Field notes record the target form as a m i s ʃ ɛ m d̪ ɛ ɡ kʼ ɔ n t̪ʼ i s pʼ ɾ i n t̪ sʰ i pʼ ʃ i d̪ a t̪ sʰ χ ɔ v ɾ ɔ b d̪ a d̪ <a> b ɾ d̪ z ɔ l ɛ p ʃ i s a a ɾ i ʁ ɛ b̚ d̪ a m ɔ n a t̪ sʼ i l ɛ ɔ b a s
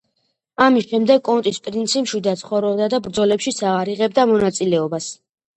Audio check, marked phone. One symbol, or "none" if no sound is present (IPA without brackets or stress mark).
a